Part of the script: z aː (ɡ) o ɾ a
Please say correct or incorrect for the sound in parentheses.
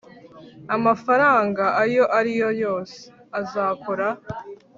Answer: incorrect